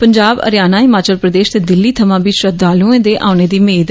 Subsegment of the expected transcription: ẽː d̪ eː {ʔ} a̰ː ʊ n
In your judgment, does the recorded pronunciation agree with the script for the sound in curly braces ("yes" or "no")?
yes